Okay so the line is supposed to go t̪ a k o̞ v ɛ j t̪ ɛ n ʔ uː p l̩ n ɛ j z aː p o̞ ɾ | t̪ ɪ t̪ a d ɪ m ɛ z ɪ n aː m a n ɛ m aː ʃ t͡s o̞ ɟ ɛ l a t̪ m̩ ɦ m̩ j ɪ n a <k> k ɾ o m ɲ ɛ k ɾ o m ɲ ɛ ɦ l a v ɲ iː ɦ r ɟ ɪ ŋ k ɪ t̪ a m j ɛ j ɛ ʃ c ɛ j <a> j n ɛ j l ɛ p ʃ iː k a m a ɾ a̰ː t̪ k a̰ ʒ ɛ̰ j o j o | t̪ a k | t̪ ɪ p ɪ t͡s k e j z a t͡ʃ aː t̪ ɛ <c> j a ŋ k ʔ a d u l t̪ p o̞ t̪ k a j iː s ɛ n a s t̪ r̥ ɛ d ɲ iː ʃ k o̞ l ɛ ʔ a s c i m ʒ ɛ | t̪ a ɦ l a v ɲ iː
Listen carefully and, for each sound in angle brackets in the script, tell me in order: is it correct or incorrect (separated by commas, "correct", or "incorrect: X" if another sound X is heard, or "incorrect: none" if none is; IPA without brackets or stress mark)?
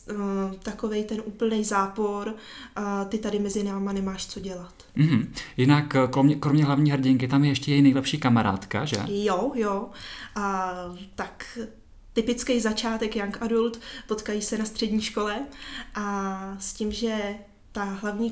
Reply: correct, incorrect: ɛ, incorrect: k